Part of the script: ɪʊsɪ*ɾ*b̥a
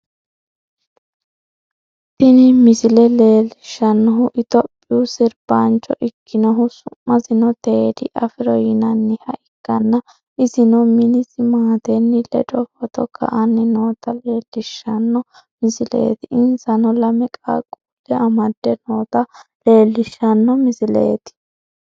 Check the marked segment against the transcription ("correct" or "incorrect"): correct